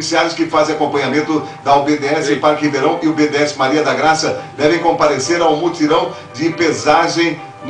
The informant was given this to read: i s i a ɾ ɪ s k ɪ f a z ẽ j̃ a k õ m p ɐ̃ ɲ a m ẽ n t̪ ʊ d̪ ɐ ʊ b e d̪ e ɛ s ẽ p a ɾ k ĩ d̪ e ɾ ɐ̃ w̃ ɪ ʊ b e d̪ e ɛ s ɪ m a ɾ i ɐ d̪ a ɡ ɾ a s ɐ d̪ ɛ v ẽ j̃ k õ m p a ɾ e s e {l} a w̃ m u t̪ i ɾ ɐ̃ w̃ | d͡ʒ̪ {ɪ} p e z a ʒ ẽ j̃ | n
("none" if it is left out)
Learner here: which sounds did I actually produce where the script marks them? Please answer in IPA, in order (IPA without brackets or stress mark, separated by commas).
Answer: ɾ, ɪ